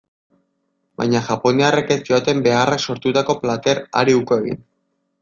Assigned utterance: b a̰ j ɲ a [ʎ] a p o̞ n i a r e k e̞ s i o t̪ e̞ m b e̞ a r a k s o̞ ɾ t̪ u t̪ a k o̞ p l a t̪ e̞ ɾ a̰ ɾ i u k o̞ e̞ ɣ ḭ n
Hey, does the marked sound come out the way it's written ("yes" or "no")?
no